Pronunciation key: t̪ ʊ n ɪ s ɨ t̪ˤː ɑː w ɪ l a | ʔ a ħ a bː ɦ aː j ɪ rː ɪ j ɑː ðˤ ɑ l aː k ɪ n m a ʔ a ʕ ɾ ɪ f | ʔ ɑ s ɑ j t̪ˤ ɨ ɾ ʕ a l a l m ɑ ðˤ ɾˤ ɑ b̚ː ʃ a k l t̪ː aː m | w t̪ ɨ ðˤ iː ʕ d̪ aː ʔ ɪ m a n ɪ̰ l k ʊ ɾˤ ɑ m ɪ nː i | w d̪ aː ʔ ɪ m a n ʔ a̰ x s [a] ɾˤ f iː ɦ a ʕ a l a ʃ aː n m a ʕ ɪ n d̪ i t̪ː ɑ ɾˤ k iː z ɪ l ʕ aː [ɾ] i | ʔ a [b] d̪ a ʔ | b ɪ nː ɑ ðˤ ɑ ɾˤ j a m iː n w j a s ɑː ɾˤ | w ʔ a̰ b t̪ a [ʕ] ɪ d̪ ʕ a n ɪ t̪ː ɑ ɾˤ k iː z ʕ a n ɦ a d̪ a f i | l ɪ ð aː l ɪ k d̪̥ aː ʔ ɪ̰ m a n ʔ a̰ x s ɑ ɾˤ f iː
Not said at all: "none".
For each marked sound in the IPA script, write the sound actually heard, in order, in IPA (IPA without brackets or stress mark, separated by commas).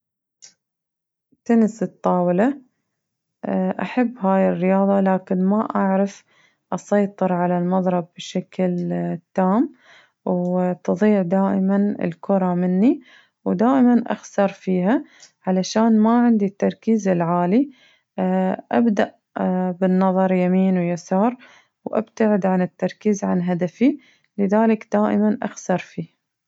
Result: ɑ, l, b, ʕ